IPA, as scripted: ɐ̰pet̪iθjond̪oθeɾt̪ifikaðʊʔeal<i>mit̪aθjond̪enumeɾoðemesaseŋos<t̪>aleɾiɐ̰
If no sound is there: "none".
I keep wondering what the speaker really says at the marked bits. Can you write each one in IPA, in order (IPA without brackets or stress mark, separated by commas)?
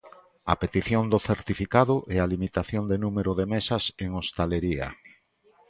i, t̪